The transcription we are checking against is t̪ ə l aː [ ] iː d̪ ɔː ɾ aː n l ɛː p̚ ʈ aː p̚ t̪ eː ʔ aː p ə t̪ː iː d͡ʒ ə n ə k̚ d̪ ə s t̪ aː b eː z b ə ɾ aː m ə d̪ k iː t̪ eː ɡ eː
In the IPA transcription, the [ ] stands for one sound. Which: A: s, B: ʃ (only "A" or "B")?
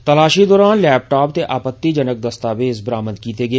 B